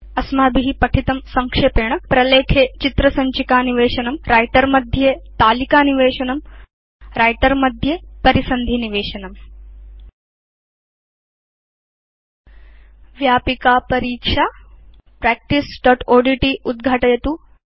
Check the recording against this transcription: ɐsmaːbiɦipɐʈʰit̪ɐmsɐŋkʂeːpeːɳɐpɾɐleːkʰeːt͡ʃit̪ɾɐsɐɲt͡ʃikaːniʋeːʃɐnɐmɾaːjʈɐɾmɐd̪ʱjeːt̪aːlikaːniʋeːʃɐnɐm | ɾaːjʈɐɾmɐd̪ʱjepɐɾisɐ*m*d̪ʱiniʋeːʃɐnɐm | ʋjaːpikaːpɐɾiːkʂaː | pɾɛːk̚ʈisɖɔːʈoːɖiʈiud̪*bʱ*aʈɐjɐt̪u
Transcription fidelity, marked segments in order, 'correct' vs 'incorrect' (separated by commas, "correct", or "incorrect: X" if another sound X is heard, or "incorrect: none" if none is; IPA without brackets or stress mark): incorrect: n, incorrect: ɡʱ